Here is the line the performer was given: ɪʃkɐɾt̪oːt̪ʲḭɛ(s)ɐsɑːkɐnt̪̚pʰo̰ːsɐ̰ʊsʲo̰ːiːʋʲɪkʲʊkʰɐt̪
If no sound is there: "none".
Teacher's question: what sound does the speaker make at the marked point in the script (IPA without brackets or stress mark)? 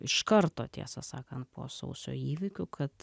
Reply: s